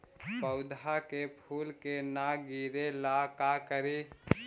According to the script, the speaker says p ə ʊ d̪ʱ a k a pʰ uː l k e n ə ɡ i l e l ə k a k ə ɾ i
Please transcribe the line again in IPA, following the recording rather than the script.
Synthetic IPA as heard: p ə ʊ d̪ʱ a k e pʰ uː l k e n a ɡ i ɾ e l a k a k ə ɾ i